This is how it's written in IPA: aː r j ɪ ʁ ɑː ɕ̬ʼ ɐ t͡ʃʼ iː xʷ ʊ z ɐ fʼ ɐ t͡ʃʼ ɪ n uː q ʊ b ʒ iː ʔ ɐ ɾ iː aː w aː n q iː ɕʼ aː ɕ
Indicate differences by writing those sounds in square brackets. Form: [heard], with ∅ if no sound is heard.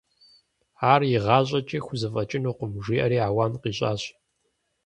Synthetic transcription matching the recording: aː r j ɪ ʁ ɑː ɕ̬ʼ ɐ t͡ʃʼ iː xʷ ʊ z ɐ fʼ ɐ t͡ʃʼ ɪ n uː q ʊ [m] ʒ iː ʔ ɐ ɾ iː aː w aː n q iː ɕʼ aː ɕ